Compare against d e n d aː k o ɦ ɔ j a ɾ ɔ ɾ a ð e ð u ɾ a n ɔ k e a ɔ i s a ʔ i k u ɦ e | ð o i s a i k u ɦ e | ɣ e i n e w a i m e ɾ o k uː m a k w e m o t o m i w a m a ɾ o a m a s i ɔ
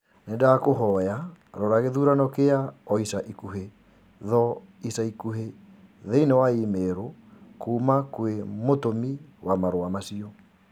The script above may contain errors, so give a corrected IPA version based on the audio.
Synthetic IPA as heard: n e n d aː k o ɦ ɔ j a ɾ ɔ ɾ a ɣ e ð u ɾ a n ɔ k e a ɔ i s a ʔ i k u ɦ e | ð ɔ i s a i k u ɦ e | ð e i n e w a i m e ɾ o k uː m a k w e m o t o m i w a m a ɾ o a m a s i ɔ